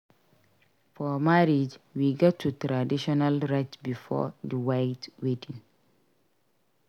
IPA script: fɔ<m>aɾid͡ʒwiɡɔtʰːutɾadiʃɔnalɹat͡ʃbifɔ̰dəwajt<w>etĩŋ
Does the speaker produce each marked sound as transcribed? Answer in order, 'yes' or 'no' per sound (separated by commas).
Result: yes, yes